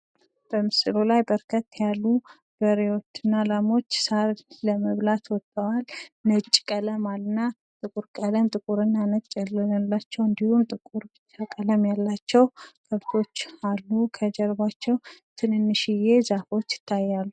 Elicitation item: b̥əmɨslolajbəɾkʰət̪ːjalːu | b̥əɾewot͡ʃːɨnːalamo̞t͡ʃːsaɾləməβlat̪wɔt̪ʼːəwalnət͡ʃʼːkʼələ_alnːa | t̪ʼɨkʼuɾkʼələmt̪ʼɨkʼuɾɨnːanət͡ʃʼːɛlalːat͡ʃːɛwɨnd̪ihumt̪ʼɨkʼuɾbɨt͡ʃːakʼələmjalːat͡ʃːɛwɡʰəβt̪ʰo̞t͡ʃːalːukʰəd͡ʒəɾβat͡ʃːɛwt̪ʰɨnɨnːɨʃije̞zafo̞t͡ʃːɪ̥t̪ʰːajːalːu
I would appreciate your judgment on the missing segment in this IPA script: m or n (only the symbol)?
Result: m